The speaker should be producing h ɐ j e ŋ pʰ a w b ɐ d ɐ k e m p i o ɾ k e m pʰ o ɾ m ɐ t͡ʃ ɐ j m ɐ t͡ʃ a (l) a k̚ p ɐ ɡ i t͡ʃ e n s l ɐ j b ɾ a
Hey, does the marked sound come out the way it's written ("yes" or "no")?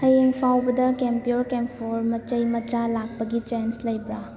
yes